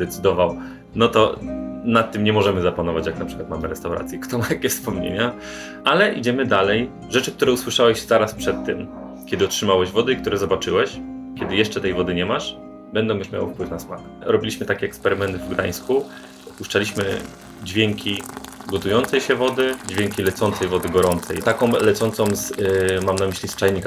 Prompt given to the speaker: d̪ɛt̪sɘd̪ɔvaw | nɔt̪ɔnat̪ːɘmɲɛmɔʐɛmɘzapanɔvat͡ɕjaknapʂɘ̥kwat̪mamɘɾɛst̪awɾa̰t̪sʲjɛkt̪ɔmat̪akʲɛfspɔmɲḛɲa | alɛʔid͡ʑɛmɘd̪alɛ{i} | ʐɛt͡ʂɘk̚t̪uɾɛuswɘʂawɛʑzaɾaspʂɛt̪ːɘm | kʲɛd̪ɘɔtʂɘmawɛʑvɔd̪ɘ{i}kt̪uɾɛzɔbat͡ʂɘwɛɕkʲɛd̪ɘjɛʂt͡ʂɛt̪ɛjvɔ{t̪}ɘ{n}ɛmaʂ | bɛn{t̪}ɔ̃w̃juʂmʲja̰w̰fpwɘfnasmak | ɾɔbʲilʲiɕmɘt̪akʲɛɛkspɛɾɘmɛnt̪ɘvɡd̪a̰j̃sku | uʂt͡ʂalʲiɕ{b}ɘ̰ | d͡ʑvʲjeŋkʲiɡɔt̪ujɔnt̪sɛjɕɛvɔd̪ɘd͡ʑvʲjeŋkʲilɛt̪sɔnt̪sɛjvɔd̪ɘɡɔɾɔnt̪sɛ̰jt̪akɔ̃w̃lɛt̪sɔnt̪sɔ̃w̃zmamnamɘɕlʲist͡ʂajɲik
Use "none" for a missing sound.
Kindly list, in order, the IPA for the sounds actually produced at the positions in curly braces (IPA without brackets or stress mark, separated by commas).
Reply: j, i, d̪, ɲ, d̪, m